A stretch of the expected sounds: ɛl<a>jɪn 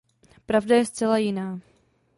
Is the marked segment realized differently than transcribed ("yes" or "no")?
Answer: no